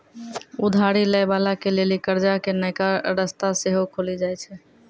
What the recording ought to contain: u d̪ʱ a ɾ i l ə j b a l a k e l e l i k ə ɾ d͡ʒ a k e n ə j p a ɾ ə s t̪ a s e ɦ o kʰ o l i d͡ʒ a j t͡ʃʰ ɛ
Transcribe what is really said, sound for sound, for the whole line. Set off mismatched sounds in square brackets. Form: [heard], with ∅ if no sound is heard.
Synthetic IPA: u d̪ʱ a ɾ i l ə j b a l a k e l e l i k ə ɾ d͡ʒ a k e n ə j [k] a ɾ ə s t̪ a s e ɦ o kʰ o l i d͡ʒ a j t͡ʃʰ ɛ